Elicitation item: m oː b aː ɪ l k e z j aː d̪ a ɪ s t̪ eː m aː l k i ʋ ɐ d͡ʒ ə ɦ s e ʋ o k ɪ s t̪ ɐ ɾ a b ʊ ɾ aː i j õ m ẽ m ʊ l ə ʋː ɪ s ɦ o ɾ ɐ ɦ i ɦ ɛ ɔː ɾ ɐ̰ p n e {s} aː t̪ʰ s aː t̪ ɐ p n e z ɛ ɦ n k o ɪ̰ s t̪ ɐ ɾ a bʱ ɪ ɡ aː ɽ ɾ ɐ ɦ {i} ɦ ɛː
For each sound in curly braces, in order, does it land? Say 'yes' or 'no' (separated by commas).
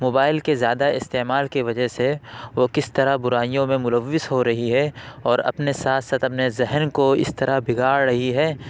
yes, yes